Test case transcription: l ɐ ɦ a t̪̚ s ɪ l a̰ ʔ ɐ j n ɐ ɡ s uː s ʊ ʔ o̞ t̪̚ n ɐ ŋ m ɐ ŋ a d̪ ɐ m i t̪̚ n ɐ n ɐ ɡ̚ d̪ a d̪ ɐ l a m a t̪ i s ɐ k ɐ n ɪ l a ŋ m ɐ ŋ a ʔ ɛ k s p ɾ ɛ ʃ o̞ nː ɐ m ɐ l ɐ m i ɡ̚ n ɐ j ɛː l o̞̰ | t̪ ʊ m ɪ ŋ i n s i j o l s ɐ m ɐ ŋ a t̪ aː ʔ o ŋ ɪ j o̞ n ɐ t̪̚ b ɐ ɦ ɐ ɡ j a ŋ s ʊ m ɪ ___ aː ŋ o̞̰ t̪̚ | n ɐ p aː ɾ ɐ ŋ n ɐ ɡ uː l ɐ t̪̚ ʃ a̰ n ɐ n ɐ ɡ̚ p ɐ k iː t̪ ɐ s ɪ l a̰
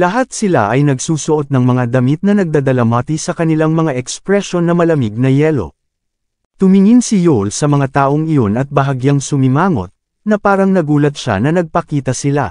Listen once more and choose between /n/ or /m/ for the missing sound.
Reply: m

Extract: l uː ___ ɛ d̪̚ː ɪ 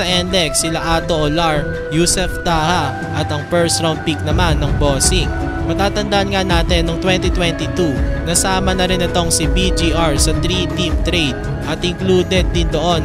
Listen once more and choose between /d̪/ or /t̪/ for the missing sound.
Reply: d̪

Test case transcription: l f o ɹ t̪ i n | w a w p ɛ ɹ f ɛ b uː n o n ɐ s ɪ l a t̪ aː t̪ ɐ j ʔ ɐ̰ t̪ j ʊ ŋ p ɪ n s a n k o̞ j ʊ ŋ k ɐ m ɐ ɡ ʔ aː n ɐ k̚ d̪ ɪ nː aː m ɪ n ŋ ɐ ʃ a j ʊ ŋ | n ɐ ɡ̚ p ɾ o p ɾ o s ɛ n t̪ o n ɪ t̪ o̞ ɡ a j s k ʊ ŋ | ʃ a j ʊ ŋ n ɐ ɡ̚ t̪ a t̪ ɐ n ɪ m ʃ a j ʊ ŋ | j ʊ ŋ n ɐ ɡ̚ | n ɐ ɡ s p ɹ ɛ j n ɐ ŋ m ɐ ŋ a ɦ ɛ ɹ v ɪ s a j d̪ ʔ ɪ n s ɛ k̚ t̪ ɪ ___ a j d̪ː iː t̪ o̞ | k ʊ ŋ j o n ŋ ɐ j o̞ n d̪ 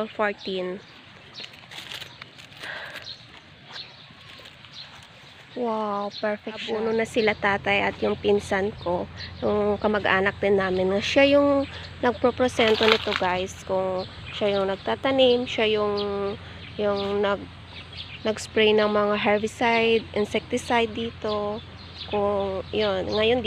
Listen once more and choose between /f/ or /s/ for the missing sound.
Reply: s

